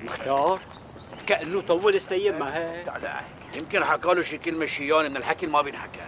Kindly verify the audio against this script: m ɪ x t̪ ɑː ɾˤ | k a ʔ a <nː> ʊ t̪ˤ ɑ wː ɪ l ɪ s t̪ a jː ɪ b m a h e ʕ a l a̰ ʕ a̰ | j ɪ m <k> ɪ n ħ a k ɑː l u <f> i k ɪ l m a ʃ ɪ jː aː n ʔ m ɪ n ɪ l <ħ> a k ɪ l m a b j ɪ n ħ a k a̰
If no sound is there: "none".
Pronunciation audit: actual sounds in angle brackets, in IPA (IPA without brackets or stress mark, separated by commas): nː, k, ʃ, ħ